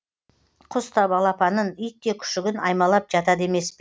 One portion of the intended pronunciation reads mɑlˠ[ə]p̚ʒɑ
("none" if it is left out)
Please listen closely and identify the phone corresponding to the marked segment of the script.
ɑ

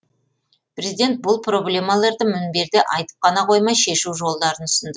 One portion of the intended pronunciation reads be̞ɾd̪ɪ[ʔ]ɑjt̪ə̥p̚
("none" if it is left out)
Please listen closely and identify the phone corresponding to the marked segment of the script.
ʔ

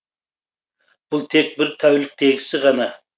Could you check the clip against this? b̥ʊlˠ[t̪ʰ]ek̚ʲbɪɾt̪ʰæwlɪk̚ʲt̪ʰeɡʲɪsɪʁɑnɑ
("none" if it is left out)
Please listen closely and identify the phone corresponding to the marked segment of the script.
t̪ʰ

